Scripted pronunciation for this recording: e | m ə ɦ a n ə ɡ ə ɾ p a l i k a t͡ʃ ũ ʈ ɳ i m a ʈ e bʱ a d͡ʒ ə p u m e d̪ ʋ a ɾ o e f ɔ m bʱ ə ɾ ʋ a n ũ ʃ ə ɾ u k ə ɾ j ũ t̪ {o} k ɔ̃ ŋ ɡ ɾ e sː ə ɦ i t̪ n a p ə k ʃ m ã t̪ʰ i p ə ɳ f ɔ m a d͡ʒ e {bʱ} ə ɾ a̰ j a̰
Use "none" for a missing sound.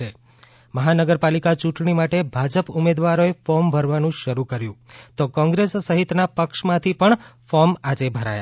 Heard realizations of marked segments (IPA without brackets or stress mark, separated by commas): o, bʱ